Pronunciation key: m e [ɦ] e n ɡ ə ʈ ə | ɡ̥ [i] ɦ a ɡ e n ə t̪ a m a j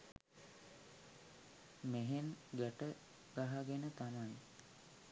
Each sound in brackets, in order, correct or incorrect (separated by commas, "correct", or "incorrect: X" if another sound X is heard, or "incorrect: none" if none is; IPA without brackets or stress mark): correct, incorrect: a